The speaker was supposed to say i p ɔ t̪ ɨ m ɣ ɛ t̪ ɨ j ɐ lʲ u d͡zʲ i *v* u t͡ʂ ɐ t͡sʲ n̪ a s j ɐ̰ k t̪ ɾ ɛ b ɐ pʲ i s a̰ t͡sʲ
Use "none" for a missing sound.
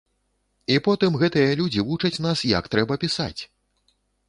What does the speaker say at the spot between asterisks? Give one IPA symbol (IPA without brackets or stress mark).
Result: v